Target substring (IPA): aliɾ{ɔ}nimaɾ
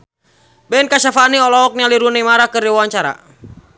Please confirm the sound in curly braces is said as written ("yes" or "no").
no